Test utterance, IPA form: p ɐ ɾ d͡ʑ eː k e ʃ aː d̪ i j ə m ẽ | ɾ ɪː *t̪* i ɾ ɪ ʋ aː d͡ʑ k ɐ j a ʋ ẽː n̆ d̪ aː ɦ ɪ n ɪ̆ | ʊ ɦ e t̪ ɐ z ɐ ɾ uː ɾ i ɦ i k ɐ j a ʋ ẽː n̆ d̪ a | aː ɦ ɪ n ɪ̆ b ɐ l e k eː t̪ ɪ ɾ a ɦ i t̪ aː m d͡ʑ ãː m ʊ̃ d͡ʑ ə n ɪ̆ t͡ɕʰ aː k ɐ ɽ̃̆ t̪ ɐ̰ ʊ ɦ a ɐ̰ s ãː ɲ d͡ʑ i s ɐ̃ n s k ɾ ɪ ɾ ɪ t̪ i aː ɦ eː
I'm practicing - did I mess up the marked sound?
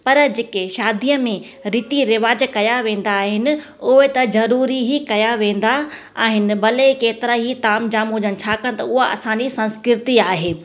no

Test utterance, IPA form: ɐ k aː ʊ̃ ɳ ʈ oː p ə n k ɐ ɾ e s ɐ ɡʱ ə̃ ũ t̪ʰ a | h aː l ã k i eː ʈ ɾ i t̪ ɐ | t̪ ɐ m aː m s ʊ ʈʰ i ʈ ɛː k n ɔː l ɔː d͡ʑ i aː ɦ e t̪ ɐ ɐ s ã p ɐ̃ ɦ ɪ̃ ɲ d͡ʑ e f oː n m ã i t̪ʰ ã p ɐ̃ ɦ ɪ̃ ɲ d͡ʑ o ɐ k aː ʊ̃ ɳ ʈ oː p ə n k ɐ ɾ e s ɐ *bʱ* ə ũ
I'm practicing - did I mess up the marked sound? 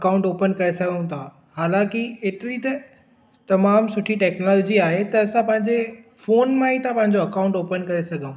yes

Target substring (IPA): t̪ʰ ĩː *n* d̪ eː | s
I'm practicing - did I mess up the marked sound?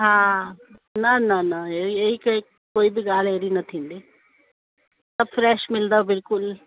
no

